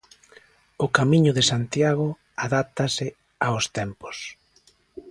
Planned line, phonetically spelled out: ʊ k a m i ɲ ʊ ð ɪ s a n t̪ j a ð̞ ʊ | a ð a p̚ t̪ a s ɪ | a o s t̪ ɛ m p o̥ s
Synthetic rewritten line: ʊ k a m i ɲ ʊ ð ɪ s a n t̪ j a ɣ̞ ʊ | a ð a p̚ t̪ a s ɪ | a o s t̪ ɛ m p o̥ s